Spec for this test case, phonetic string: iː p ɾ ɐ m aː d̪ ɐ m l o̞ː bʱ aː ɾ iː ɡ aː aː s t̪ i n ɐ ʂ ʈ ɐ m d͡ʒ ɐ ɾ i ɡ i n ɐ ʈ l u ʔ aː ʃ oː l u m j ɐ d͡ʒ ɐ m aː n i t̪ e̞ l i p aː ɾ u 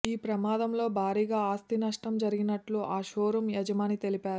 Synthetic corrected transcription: iː p ɾ ɐ m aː d̪ ɐ m l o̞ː bʱ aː ɾ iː ɡ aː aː s t̪ i n ɐ ʂ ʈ ɐ m d͡ʒ ɐ ɾ i ɡ i n ɐ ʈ l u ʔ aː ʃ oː ɾ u m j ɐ d͡ʒ ɐ m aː n i t̪ e̞ l i p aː ɾ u

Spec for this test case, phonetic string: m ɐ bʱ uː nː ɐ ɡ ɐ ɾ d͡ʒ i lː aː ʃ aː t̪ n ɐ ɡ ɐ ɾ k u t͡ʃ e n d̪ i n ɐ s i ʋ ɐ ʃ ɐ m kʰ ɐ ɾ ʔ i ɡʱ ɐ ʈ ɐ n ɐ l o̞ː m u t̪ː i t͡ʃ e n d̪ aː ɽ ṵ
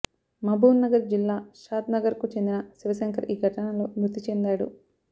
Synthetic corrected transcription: m ɐ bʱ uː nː ɐ ɡ ɐ ɾ d͡ʒ i lː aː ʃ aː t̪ n ɐ ɡ ɐ ɾ k u t͡ʃ e n d̪ i n ɐ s i ʋ ɐ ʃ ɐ ŋ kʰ ɐ ɾ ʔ iː ɡʱ ɐ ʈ ɐ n ɐ l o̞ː m u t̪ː i t͡ʃ e n d̪ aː ɽ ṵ

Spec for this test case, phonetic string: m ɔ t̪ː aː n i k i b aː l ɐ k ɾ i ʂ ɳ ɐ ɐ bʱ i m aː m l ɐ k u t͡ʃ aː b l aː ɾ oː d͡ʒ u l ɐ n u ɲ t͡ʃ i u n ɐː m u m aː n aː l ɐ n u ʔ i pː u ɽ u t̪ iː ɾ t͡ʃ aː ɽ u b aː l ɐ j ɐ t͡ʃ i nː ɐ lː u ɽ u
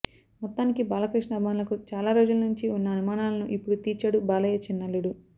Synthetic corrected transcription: m ɔ t̪ː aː n i k i b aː l ɐ k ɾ i ʂ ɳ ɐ ɐ bʱ i m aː n l ɐ k u t͡ʃ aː l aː ɾ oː d͡ʒ u l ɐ n u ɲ t͡ʃ i u nː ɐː n u m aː n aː l ɐ n u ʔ i pː u ɽ u t̪ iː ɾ t͡ʃ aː ɽ u b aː l ɐ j ɐ t͡ʃ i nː ɐ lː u ɽ u

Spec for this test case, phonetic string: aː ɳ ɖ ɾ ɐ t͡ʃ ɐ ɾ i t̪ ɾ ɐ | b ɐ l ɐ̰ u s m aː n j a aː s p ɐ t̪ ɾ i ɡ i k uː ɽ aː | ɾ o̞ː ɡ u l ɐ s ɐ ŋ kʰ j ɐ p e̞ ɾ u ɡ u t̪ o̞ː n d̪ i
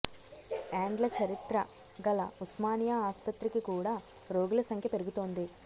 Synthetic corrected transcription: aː ɳ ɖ l ɐ t͡ʃ ɐ ɾ i t̪ ɾ ɐ | ɡ ɐ l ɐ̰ u s m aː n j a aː s p ɐ t̪ ɾ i k i k uː ɽ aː | ɾ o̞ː ɡ u l ɐ s ɐ ŋ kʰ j ɐ p e̞ ɾ u ɡ u t̪ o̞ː n d̪ i

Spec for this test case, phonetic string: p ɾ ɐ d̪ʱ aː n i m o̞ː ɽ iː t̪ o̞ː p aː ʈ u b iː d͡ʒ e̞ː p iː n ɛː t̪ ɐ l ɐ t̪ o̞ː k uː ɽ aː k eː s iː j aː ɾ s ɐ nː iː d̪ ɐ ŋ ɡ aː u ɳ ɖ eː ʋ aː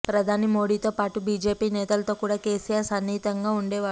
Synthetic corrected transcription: p ɾ ɐ d̪ʱ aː n i m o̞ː ɽ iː t̪ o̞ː p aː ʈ u b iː d͡ʒ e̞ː p iː n ɛː t̪ ɐ l ɐ t̪ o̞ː k uː ɽ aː k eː s i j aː ɾ s ɐ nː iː t̪ ɐ ŋ ɡ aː u ɳ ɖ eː ʋ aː

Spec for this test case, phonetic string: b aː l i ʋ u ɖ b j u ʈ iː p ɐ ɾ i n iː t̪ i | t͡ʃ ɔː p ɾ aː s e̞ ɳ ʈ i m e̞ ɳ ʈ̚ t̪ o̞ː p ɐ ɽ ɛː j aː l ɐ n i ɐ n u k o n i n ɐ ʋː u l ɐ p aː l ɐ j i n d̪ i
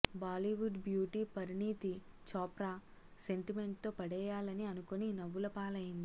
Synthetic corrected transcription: b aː l i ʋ u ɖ b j uː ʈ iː p ɐ ɾ i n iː t̪ i | t͡ʃ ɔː p ɾ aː s e̞ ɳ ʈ i m e̞ ɳ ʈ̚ t̪ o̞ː p ɐ ɽ ɛː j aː l ɐ n i ɐ n u k o n i n ɐ ʋː u l ɐ p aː l ɐ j i n d̪ i

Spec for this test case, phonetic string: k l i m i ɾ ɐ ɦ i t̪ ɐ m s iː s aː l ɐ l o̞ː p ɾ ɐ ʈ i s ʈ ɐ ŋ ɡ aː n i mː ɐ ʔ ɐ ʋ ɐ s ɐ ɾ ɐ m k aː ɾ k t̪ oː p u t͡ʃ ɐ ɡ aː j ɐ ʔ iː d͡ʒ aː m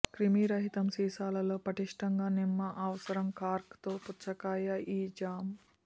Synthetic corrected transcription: k ɾ i m i ɾ ɐ ɦ i t̪ ɐ m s iː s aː l ɐ l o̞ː p ɾ ɐ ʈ i ʂ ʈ ɐ ŋ ɡ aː n i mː ɐ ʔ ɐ ʋ ɐ s ɐ ɾ ɐ m k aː ɾ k t̪ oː p u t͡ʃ ɐ k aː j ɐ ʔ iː d͡ʒ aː m

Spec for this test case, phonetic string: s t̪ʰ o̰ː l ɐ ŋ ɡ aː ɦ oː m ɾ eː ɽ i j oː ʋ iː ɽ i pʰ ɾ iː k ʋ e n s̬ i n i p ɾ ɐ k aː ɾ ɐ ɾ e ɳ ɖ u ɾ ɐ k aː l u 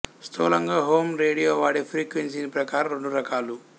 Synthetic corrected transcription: s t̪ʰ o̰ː l ɐ ŋ ɡ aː ɦ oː m ɾ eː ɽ i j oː ʋ aː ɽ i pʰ ɾ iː k ʋ e n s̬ i n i p ɾ ɐ k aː ɾ ɐ ɾ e ɳ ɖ u ɾ ɐ k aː l u

